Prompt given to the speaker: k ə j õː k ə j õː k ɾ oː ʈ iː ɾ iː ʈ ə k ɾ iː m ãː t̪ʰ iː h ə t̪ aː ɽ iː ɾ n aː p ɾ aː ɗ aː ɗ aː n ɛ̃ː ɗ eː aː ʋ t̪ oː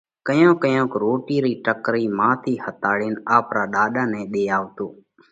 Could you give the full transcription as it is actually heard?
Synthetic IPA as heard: k ə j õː k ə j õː k ɾ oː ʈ iː ɾ iː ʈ ə k ɾ iː m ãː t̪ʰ iː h ə t̪ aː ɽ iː n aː p ɾ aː ɗ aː ɗ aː n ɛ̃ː ɗ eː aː ʋ t̪ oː